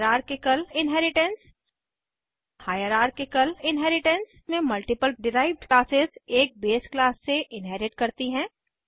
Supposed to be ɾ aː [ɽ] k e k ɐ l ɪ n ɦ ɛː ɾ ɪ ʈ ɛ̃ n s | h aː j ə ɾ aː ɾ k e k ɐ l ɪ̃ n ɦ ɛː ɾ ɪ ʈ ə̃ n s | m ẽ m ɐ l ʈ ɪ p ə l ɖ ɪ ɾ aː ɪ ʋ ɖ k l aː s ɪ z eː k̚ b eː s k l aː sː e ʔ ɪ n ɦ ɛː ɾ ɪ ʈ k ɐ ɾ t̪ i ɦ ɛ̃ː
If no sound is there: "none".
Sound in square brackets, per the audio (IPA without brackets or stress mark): ɾ